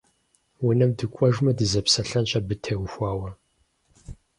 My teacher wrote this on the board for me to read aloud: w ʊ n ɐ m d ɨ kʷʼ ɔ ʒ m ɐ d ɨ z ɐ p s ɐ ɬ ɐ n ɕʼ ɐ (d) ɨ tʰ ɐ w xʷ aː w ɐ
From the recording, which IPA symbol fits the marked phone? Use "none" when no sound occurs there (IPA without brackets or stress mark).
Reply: b